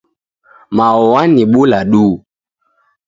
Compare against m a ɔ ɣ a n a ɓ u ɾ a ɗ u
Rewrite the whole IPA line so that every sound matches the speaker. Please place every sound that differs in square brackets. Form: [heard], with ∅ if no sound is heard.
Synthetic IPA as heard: m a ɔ [w] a n [i] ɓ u [l] a ɗ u